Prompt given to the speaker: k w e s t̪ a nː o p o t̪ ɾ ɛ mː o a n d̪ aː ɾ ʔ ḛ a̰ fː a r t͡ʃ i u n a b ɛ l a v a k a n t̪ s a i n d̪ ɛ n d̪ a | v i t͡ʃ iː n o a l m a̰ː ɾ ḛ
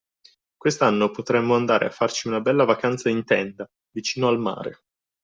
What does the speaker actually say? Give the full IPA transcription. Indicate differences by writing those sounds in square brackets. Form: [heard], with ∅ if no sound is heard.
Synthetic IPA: k w e s t̪ a nː o p o t̪ ɾ ɛ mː o a n d̪ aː ɾ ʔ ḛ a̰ fː a r t͡ʃ i u n a b ɛ [lː] a v a k a n t̪ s a i n [t̪] ɛ n d̪ a | v i t͡ʃ iː n o a l m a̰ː ɾ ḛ